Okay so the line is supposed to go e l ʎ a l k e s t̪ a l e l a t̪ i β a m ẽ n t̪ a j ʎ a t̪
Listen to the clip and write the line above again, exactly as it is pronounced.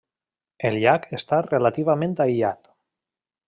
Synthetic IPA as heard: e l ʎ a k e s t̪ a r e l a t̪ i β a m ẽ n t̪ a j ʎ a t̪